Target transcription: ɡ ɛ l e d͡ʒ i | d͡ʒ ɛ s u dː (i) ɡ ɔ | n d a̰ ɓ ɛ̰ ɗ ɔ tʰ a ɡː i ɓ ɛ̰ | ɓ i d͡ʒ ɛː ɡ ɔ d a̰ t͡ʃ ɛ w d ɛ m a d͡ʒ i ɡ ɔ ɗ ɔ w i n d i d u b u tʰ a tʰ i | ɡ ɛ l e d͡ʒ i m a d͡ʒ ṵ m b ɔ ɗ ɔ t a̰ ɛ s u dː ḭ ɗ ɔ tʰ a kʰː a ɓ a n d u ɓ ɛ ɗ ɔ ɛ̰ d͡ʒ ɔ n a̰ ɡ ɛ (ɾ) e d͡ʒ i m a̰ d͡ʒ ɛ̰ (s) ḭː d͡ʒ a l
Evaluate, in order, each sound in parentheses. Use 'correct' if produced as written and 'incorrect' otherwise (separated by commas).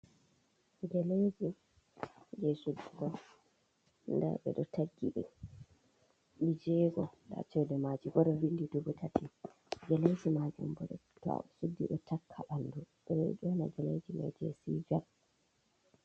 correct, incorrect, correct